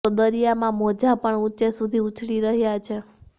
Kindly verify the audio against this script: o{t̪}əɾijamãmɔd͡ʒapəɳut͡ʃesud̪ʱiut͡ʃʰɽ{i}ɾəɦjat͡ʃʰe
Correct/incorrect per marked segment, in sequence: incorrect: d̪, correct

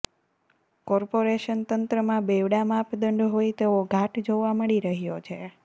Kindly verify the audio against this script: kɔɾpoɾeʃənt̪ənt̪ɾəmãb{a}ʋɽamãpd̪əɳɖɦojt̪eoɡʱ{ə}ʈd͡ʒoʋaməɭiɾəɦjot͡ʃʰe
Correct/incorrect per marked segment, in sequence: incorrect: e, incorrect: a

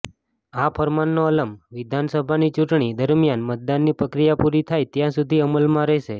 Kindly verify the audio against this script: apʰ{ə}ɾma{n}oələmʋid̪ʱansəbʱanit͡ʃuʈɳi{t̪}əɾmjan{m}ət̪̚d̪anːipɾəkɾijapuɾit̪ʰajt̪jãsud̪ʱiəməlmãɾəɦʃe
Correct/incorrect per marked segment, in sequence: correct, incorrect: nː, incorrect: d̪, correct

